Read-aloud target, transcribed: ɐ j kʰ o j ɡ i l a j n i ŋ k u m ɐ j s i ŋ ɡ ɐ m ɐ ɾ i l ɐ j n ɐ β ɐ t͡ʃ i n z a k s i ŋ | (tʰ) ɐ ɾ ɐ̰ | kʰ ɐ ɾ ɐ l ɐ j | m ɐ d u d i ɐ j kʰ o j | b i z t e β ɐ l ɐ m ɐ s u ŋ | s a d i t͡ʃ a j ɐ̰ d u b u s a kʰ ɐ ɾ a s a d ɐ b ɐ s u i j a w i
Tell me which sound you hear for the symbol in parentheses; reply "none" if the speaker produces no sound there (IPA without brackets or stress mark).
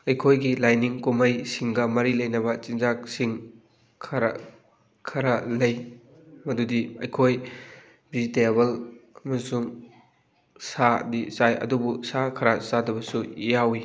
kʰ